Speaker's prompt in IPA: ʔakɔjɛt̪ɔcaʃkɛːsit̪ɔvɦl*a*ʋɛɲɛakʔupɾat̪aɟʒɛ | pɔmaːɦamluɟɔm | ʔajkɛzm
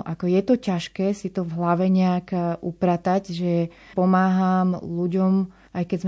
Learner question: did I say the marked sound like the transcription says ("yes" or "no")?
yes